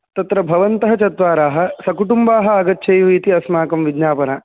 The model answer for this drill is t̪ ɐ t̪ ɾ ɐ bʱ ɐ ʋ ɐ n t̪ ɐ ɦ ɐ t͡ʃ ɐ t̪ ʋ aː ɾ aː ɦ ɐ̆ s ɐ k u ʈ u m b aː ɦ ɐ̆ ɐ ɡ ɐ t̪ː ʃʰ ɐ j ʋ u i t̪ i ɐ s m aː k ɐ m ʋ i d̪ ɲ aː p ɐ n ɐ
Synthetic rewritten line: t̪ ɐ t̪ ɾ ɐ bʱ ɐ ʋ ɐ n t̪ ɐ ɦ ɐ t͡ʃ ɐ t̪ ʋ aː ɾ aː ɦ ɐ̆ s ɐ k u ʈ u m b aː ɦ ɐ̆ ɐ ɡ ɐ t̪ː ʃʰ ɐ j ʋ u i t̪ i ɐ s m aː k ɐ m ʋ i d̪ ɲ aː p ɐ n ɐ